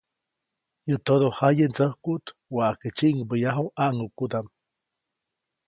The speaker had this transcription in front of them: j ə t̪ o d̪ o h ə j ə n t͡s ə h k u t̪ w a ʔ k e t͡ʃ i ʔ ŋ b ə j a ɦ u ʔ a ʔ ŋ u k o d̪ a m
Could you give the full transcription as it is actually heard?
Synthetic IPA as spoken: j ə t̪ o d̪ o h a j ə n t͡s ə h k u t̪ w a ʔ k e t͡ʃ i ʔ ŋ b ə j a ɦ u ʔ a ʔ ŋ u k u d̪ a m